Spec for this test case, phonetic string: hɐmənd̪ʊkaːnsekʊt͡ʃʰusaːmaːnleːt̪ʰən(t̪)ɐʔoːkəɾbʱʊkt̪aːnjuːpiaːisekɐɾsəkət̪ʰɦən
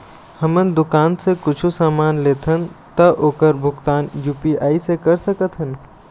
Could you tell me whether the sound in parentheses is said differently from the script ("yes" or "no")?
no